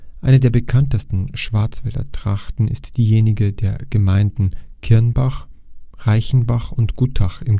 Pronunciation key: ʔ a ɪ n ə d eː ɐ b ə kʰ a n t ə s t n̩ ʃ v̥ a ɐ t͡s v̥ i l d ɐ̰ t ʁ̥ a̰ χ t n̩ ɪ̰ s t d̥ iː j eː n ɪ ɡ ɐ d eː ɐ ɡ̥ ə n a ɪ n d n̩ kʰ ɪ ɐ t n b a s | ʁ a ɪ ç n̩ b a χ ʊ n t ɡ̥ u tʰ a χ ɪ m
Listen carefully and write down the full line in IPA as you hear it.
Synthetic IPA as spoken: ʔ a ɪ n ə d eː ɐ b ə kʰ a n t ə s t n̩ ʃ v̥ a ɐ t͡s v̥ ɛ l d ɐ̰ t ʁ̥ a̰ χ t n̩ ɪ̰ s t d̥ iː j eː n ɪ ɡ ə d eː ɐ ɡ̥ ə m a ɪ n d n̩ kʰ ɪ ɐ n b a χ | ʁ a ɪ ç n̩ b a χ ʊ n t ɡ̥ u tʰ a χ ɪ m